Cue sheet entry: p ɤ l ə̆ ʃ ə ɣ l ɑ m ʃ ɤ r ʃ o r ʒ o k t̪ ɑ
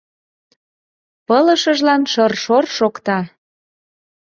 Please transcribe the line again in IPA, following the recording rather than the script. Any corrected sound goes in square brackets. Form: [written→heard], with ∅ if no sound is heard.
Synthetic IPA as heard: p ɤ l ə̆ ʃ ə [ɣ→ʒ] l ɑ [m→n] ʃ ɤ r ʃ o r [ʒ→ʃ] o k t̪ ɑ